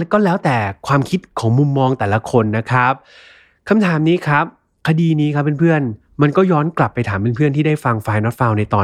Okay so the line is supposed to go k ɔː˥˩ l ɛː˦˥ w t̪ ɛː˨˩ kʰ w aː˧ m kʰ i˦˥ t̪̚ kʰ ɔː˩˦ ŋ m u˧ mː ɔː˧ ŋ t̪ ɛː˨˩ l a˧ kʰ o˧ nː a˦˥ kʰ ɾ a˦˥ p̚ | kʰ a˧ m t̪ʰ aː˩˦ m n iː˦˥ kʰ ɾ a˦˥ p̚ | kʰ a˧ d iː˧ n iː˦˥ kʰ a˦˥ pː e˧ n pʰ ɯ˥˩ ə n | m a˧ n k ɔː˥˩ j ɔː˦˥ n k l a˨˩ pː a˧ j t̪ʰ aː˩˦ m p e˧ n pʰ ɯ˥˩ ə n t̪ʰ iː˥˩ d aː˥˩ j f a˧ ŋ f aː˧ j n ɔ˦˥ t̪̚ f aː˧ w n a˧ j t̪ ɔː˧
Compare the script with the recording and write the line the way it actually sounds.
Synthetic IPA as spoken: k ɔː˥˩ l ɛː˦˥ w t̪ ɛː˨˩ kʰ w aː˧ m kʰ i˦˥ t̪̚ kʰ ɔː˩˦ ŋ m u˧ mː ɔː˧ ŋ t̪ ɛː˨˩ l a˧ kʰ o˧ nː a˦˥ kʰ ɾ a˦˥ p̚ | kʰ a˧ m t̪ʰ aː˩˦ m n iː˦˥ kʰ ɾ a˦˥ p̚ | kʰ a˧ d iː˧ n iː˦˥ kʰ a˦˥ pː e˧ n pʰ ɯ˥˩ ə n | m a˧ n k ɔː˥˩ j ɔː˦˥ n k l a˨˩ pː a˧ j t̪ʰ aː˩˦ m p e˧ n pʰ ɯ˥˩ ə n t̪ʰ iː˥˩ d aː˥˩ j f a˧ ŋ f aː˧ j n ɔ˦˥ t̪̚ f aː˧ w n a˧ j t̪ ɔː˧